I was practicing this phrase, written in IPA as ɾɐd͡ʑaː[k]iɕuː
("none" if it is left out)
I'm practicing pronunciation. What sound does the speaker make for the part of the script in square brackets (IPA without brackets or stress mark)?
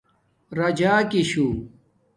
k